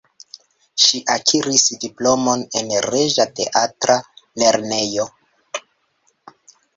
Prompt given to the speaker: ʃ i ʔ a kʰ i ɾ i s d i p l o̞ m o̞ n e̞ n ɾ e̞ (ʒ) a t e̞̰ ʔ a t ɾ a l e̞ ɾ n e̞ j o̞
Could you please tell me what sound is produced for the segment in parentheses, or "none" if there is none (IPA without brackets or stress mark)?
ʒ